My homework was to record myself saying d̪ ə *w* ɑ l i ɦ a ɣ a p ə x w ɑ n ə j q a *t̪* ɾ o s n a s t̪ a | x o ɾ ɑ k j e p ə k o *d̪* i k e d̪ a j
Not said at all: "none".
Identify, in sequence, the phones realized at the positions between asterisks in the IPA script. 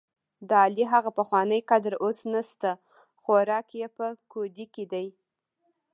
none, d̪, d̪

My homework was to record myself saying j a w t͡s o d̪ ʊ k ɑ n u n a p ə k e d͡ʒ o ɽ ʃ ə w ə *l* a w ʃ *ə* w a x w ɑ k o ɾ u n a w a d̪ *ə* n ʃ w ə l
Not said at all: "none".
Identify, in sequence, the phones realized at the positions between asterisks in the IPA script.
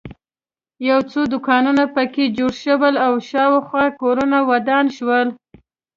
l, ɑ, ɑ

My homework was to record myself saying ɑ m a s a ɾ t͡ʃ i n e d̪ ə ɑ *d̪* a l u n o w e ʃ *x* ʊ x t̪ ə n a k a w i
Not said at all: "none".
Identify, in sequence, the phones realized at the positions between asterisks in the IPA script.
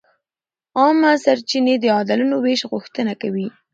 d̪, ɣ

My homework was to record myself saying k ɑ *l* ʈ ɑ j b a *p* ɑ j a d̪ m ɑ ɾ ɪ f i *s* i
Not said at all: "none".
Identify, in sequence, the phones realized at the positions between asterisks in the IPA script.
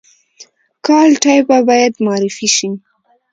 l, b, ʃ

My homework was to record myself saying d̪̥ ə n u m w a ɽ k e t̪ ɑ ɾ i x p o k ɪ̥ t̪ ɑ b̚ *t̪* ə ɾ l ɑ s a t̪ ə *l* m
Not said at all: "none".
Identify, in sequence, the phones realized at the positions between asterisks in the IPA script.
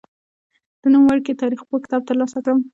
t̪, none

